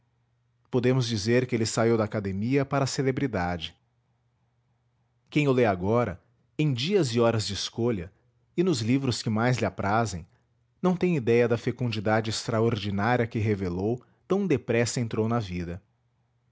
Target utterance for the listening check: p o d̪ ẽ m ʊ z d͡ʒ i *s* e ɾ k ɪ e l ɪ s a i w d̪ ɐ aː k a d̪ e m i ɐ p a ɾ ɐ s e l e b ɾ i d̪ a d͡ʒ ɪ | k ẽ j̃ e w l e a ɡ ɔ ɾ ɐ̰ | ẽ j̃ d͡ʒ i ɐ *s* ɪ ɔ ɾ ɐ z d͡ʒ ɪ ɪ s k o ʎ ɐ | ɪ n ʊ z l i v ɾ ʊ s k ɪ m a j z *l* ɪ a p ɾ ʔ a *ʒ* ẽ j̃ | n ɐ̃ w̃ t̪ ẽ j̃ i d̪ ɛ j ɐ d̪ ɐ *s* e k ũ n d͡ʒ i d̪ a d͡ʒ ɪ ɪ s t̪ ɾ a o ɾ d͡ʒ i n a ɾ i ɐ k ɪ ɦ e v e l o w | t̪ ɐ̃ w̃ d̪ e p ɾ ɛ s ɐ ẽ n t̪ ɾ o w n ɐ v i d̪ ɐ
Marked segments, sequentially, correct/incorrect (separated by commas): incorrect, incorrect, correct, incorrect, incorrect